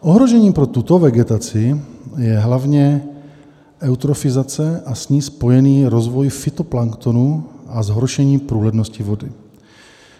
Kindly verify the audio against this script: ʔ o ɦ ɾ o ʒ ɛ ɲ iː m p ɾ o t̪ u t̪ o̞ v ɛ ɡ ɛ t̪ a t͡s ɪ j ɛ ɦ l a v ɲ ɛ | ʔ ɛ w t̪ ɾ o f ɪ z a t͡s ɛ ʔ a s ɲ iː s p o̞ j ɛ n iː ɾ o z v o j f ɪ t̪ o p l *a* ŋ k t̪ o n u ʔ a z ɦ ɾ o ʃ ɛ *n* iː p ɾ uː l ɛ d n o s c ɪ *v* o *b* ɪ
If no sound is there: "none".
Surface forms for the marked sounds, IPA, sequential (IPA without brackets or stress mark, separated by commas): a, ɲ, v, d